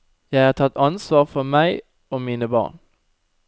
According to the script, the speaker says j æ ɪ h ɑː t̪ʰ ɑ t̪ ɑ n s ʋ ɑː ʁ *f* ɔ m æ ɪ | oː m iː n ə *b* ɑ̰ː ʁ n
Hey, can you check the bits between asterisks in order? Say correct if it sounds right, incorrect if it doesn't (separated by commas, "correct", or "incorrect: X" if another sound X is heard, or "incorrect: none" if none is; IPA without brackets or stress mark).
correct, correct